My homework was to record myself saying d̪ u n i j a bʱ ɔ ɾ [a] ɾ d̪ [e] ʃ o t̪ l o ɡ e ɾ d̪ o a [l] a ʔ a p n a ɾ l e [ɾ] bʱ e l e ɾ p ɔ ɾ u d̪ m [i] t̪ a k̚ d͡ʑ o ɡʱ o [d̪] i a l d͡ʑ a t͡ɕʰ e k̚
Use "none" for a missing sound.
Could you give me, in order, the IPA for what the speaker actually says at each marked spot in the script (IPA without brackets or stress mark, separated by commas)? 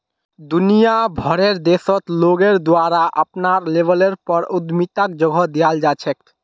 e, e, ɾ, none, i, d̪